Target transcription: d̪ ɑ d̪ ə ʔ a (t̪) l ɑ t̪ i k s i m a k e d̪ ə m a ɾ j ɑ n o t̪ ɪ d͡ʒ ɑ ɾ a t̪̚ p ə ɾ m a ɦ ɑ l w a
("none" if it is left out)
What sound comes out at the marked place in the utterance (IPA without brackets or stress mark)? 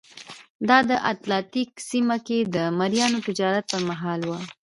t̪